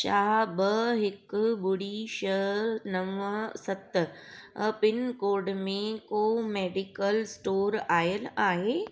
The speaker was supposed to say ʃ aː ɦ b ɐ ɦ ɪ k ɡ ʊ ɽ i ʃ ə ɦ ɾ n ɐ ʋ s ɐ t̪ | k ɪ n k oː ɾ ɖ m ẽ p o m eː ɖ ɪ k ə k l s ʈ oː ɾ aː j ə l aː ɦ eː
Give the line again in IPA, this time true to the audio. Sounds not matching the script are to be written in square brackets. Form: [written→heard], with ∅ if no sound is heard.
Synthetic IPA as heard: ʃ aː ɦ b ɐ ɦ ɪ k [ɡ→b] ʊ ɽ i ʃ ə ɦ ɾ n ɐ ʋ s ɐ t̪ | [k→p] ɪ n k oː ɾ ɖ m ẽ [p→k] o m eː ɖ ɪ k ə [k→∅] l s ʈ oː ɾ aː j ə l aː ɦ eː